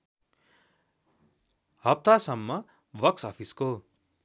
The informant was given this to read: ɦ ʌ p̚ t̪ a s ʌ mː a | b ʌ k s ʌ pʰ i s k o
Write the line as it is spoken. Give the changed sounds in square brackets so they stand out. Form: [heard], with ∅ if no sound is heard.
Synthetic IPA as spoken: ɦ ʌ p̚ t̪ a s ʌ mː [ʌ] | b ʌ k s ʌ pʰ i s k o